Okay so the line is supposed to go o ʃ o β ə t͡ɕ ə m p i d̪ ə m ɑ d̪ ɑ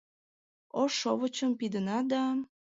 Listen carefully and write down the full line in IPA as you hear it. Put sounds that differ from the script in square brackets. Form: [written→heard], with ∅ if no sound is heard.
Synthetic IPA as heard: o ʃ o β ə t͡ɕ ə m p i d̪ ə [m→n] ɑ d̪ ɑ